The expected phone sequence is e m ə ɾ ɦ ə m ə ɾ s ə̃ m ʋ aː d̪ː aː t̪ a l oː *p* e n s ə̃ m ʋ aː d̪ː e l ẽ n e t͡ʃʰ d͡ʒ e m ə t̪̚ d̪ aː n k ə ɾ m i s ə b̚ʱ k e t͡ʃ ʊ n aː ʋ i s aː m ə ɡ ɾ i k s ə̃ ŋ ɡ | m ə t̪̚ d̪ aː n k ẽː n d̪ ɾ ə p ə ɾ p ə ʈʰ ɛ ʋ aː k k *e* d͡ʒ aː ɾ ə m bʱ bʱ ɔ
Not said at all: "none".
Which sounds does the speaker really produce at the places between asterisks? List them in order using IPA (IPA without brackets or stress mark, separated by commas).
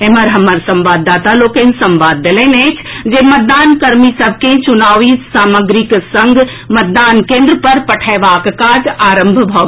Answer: k, a